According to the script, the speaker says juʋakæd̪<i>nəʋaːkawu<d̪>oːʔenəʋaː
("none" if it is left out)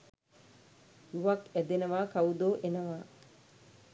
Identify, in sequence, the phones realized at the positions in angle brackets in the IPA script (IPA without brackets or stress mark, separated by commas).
e, d̪